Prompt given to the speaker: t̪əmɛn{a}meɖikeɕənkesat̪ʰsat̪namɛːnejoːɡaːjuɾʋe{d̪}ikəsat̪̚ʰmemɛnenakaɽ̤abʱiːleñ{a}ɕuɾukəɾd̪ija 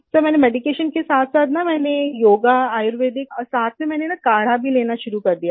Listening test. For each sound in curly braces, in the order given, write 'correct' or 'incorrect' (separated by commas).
incorrect, correct, correct